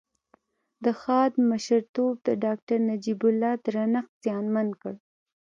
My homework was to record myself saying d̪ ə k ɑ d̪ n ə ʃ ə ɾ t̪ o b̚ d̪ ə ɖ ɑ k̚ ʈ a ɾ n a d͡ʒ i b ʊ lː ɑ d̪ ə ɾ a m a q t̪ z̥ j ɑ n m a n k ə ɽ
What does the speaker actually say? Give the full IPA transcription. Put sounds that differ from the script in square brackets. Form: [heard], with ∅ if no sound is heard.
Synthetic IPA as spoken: d̪ ə [x] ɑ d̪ [m] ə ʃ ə ɾ t̪ o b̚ d̪ ə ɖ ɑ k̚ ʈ a ɾ n a d͡ʒ i b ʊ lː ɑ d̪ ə ɾ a [n] a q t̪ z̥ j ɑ n m a n k ə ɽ